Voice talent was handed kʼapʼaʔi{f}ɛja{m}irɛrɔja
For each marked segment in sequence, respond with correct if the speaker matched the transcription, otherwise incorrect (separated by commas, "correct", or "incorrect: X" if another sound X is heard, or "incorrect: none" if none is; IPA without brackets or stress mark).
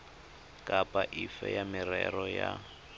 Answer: correct, correct